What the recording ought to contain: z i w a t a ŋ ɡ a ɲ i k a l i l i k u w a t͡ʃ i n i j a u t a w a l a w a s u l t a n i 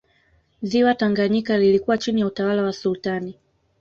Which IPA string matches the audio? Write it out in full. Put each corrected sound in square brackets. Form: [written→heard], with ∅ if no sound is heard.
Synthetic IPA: z i w a t a ŋ ɡ a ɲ i k a l i l i k u w a t͡ʃ i n i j a u t a w a l a w a s u l t a n i